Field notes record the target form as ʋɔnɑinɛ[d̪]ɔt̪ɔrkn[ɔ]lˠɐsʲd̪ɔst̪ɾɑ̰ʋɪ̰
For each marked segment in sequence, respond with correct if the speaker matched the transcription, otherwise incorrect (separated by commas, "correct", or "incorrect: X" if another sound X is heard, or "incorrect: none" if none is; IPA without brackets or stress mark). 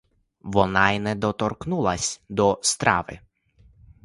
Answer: correct, incorrect: u